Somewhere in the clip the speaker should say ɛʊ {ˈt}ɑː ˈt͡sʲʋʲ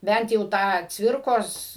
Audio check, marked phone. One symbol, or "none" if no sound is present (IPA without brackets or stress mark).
t